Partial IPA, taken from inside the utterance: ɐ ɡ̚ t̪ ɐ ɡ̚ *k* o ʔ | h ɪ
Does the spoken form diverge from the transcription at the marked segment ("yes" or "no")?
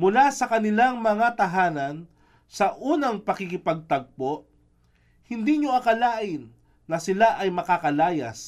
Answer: yes